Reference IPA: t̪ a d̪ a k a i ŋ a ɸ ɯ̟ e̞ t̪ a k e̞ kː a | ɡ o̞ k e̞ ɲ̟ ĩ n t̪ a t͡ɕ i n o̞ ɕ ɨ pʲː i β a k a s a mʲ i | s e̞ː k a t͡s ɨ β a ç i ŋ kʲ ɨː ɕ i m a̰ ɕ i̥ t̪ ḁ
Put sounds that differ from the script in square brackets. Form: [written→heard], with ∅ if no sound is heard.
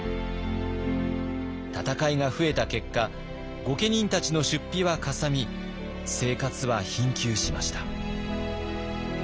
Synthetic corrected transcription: t̪ a [d̪→t̪] a k a i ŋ a ɸ ɯ̟ e̞ t̪ a k e̞ kː a | ɡ o̞ k e̞ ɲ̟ ĩ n t̪ a t͡ɕ i n o̞ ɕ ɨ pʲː i β a k a s a mʲ i | s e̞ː k a t͡s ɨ β a ç [i→ĩ] ŋ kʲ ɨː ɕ i m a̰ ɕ i̥ t̪ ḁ